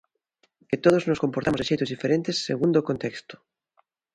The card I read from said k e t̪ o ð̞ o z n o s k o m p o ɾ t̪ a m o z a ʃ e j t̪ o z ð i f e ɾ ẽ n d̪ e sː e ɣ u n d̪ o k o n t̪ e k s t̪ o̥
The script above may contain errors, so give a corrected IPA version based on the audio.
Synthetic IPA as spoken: k e t̪ o ð̞ o z n o s k o m p o ɾ t̪ a m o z e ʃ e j t̪ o z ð i f e ɾ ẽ n t̪ e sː e ɣ u n d̪ o k o n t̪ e k s t̪ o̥

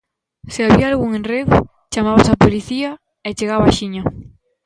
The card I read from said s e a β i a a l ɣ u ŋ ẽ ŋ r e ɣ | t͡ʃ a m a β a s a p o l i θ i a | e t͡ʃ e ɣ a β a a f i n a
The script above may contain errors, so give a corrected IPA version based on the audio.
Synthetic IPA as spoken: s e a β i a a l ɣ u ŋ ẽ n r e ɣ | t͡ʃ a m a β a s a p o l i θ i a | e t͡ʃ e ɣ a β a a ʃ i ɲ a

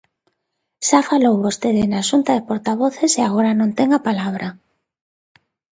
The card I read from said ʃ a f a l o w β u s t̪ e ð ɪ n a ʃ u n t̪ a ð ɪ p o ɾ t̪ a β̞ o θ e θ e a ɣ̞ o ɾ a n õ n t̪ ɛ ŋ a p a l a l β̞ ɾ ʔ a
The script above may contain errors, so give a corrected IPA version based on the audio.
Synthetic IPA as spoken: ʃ a f a l o w β o s t̪ e ð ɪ n a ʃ u n t̪ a ð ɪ p o ɾ t̪ a β̞ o θ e s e a ɣ̞ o ɾ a n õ n t̪ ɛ ŋ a p a l a β̞ ɾ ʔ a

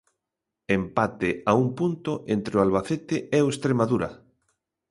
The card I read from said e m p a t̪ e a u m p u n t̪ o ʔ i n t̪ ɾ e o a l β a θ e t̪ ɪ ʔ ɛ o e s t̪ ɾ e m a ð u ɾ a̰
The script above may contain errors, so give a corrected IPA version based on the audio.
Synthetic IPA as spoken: e m p a t̪ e a u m p u n t̪ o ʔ e n t̪ ɾ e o a l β a θ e t̪ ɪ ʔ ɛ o e s t̪ ɾ e m a ð u ɾ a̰

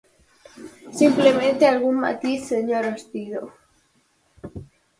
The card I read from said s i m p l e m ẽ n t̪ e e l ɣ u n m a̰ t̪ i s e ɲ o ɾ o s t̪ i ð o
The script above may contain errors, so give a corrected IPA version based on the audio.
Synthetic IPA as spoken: s i m p l e m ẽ n t̪ e a l ɣ u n m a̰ t̪ i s e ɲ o ɾ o s t̪ i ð o

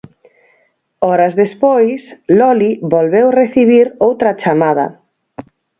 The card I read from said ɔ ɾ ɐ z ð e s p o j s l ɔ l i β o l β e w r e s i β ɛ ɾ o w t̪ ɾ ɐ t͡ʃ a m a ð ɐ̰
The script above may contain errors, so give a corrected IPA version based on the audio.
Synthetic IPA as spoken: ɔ ɾ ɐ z ð e s p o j s l ɔ l i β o l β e w r e θ i β i ɾ o w t̪ ɾ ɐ t͡ʃ a m a ð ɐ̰

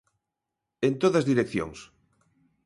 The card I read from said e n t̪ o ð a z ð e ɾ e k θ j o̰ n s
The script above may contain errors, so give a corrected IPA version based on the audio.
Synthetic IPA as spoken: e n t̪ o ð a z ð i ɾ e k θ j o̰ ŋ s

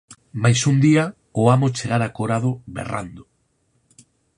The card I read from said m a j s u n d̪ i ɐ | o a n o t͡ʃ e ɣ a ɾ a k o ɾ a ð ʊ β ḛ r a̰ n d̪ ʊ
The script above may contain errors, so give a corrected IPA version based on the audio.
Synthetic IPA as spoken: m a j s u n d̪ i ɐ | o a m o t͡ʃ e ɣ a ɾ a k o ɾ a ð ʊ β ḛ r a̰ n d̪ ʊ

